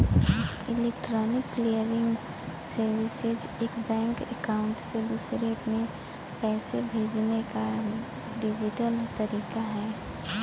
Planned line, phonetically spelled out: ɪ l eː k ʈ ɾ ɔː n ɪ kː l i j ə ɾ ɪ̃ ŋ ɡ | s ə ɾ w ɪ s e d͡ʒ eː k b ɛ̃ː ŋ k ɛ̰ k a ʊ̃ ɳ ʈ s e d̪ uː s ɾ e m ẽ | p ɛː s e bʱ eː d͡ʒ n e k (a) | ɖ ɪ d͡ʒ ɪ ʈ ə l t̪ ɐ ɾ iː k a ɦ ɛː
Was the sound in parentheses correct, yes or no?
yes